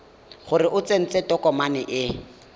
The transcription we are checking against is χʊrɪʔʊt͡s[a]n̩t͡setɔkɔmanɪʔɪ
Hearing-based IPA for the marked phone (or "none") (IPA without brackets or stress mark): e